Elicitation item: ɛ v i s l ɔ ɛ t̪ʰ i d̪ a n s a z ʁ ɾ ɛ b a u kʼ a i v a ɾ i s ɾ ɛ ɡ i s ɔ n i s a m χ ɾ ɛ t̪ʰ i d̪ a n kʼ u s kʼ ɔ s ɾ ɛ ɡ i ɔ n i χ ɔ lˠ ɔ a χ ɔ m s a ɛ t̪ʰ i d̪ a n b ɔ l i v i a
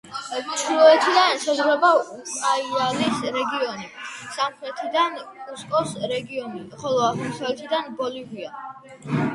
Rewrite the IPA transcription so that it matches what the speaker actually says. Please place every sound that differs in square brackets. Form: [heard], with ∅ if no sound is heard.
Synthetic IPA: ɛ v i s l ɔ ɛ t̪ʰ i d̪ a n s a z ʁ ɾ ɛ b a u kʼ a i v a [l] i s ɾ ɛ ɡ i [∅] ɔ n i s a m χ ɾ ɛ t̪ʰ i d̪ a n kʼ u s kʼ ɔ s ɾ ɛ ɡ i ɔ n i χ ɔ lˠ ɔ a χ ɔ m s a ɛ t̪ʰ i d̪ a n b ɔ l i v i a